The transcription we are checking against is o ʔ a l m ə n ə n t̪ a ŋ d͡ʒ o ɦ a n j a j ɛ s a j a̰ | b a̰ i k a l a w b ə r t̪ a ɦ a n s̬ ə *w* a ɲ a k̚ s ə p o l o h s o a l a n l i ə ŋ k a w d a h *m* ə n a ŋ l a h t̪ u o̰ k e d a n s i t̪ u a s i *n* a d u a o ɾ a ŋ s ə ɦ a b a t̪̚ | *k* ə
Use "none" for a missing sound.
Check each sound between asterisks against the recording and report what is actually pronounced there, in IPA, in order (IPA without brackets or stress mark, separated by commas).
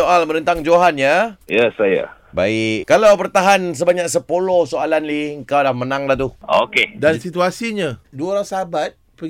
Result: b, m, ɲ, p